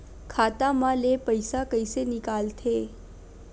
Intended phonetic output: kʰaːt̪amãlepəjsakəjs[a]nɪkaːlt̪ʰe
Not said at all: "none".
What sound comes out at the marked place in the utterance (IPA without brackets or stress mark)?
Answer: e